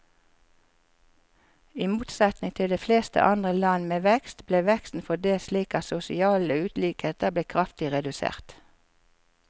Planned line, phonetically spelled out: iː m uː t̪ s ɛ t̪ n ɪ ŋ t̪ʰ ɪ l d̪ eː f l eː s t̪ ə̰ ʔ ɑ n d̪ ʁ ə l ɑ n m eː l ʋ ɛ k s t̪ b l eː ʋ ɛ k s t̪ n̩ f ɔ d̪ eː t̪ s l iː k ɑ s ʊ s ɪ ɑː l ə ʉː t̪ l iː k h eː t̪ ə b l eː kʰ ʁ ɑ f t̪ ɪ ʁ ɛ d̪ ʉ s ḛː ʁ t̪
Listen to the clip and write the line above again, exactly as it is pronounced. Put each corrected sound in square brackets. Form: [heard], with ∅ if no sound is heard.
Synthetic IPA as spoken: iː m uː t̪ s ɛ t̪ n ɪ ŋ t̪ʰ ɪ l d̪ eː f l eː s t̪ ə̰ ʔ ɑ n d̪ ʁ ə l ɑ n m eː [∅] ʋ ɛ k s t̪ b l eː ʋ ɛ k s t̪ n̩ f ɔ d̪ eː [∅] s l iː k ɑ s ʊ s ɪ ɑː l ə ʉː t̪ l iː k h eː t̪ ə b l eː kʰ ʁ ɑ f t̪ ɪ ʁ ɛ d̪ ʉ s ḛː ʁ t̪

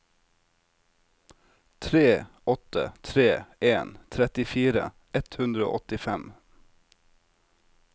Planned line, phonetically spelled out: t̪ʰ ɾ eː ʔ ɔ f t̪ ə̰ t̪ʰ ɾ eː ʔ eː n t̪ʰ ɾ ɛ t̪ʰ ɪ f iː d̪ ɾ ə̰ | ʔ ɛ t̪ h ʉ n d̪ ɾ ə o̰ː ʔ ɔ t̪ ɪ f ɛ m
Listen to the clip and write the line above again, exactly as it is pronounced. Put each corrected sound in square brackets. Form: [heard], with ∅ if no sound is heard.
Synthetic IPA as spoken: t̪ʰ ɾ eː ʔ ɔ [∅] t̪ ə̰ t̪ʰ ɾ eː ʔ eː n t̪ʰ ɾ ɛ [t̪] ɪ f iː [∅] ɾ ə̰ | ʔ ɛ t̪ h ʉ n d̪ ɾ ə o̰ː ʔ ɔ t̪ ɪ f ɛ m

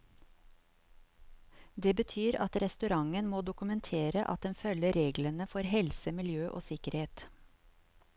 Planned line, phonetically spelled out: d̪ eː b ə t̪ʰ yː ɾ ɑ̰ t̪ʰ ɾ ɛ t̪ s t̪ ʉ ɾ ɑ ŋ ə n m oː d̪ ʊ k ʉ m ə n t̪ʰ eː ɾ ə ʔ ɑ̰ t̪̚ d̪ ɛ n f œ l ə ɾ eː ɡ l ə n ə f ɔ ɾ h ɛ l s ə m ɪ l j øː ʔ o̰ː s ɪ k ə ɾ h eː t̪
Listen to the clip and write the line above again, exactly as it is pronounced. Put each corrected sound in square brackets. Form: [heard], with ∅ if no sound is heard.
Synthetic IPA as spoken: d̪ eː b ə t̪ʰ yː ɾ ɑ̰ [t̪] ɾ ɛ [∅] s t̪ ʉ ɾ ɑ ŋ ə n m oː d̪ ʊ k ʉ m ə n t̪ʰ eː ɾ ə ʔ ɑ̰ t̪̚ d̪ ɛ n f œ l ə ɾ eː ɡ l ə n ə f ɔ ɾ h ɛ l s ə m ɪ l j øː ʔ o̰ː s ɪ k ə ɾ h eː t̪

